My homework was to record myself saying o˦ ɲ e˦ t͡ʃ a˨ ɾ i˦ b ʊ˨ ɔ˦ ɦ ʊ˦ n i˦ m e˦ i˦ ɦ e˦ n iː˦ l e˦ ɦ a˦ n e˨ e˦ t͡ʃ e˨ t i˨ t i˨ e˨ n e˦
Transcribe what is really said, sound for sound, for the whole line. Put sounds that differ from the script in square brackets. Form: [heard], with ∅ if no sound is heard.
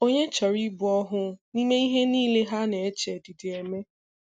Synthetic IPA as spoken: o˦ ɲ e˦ t͡ʃ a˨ ɾ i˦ b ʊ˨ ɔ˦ ɦ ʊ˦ n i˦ m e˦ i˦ ɦ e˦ n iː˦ l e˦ ɦ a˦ n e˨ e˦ t͡ʃ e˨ t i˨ t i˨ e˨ [m] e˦